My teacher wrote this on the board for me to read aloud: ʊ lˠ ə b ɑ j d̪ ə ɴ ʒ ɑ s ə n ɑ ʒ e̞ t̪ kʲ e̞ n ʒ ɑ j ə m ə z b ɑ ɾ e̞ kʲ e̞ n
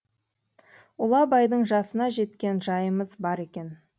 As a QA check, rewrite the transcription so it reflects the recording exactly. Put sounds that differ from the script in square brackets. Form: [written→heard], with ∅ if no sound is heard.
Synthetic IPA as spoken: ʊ lˠ [ə→ɑ] b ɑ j d̪ ə ɴ ʒ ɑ s ə n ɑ ʒ e̞ t̪ kʲ e̞ n ʒ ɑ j ə m ə z b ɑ ɾ e̞ kʲ e̞ n

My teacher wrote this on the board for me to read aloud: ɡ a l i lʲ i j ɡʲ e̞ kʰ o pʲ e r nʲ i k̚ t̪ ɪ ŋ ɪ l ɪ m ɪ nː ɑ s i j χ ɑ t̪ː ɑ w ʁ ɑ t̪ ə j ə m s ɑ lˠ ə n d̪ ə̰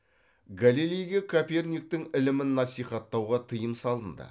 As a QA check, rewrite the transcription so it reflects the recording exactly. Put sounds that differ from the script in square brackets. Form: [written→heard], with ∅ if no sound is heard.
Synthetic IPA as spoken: ɡ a l i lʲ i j ɡʲ e̞ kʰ o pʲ e r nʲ i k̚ t̪ ɪ ŋ ɪ l ɪ m ɪ nː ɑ s i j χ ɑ t̪ː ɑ w ʁ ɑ [t̪→t̪ʰ] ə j ə m s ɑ lˠ ə n d̪ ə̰

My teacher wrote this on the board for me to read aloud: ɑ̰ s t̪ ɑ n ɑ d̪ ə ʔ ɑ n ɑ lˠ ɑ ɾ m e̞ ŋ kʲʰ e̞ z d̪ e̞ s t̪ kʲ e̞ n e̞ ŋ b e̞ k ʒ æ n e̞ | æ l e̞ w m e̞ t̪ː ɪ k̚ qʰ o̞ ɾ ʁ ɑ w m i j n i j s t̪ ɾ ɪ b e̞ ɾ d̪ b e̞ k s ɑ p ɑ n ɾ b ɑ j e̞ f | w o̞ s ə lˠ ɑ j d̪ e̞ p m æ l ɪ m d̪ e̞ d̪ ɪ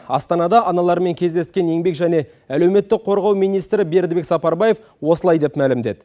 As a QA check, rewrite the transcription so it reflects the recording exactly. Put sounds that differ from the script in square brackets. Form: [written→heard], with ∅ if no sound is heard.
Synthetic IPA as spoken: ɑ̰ s t̪ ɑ n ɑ d̪ [ə→ɑ] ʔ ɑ n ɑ lˠ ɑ ɾ m e̞ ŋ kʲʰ e̞ z d̪ e̞ s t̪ kʲ e̞ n e̞ ŋ b e̞ k ʒ æ n e̞ | æ l e̞ w m e̞ t̪ː ɪ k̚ qʰ o̞ ɾ ʁ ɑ w m i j n i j s t̪ ɾ ɪ b e̞ ɾ d̪ b e̞ k s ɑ p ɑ [n→∅] ɾ b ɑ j e̞ f | w o̞ s ə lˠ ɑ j d̪ e̞ p m æ l ɪ m d̪ e̞ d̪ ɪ

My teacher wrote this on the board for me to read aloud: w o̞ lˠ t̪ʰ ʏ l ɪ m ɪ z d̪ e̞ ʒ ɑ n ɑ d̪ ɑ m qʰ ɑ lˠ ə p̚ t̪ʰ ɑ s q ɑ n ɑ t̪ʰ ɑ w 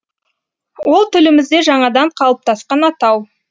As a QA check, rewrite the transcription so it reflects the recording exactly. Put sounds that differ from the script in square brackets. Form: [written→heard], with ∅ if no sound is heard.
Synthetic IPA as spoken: w o̞ lˠ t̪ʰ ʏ l ɪ m ɪ z d̪ e̞ ʒ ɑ [n→ɴ] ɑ d̪ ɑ [m→ɴ] qʰ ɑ lˠ ə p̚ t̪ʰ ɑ s q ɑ n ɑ [t̪ʰ→t̪] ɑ w

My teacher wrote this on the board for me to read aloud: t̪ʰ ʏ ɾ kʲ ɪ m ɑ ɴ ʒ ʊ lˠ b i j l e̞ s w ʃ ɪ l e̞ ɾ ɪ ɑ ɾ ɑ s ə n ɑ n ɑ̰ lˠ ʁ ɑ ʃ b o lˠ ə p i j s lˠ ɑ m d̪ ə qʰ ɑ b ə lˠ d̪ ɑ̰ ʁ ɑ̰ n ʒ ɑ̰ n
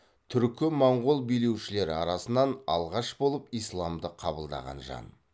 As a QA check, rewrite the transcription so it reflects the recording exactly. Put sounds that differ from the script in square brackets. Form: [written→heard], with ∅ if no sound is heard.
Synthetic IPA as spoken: t̪ʰ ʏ ɾ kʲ ɪ m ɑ ɴ [ʒ→ʁ] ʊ lˠ b i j l e̞ [s→∅] w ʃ ɪ l e̞ ɾ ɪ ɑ ɾ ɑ s ə n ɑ n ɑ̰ lˠ ʁ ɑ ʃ b o lˠ ə p i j s lˠ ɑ m d̪ ə qʰ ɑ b ə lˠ d̪ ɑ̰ ʁ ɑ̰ n ʒ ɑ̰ n

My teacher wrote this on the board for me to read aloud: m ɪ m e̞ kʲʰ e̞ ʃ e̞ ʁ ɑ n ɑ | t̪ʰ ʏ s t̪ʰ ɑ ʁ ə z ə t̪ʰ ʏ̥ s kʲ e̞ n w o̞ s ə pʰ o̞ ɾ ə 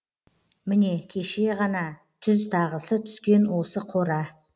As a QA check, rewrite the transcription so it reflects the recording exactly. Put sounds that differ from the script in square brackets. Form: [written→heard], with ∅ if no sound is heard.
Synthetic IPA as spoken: m ɪ [m→n] e̞ kʲʰ e̞ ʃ e̞ ʁ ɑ n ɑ | t̪ʰ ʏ [s→z] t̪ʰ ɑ ʁ ə [z→s] ə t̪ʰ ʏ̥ s kʲ e̞ n w o̞ s ə [pʰ→qʰ] o̞ ɾ [ə→ɑ]

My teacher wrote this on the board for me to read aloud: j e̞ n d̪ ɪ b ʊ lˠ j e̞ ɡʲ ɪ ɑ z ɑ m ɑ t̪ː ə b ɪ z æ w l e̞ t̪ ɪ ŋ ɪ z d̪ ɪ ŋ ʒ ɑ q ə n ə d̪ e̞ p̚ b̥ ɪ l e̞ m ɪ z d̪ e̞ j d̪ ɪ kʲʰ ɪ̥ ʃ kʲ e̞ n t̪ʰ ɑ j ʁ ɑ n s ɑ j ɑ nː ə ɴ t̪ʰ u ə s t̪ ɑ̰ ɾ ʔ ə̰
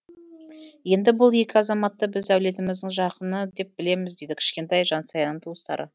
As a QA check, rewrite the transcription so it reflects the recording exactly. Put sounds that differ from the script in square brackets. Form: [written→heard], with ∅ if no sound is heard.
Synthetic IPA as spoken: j e̞ n d̪ ɪ b ʊ lˠ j e̞ [ɡʲ→kʲ] ɪ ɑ z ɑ m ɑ t̪ː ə b ɪ z æ w l e̞ t̪ ɪ [ŋ→m] ɪ z d̪ ɪ ŋ ʒ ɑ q ə n ə d̪ e̞ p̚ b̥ ɪ l e̞ m ɪ z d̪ e̞ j d̪ ɪ kʲʰ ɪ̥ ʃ kʲ e̞ n [t̪ʰ→t̪] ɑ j [ʁ→ʒ] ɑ n s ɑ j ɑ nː ə ɴ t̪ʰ u ə s t̪ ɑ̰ ɾ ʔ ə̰

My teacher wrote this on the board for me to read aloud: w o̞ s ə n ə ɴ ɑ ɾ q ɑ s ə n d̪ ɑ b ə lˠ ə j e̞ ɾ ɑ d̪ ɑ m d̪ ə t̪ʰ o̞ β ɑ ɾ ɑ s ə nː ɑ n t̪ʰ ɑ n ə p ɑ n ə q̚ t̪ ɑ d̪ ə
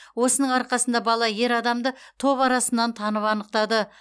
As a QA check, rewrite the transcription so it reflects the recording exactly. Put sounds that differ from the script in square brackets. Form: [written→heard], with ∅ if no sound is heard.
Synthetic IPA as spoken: w o̞ s ə n ə ɴ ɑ ɾ q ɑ s ə n d̪ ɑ b [ə→ɑ] lˠ [ə→ɑ] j e̞ ɾ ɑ d̪ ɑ m d̪ ə t̪ʰ o̞ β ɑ ɾ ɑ s ə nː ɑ n t̪ʰ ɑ n ə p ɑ n ə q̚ t̪ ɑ d̪ ə

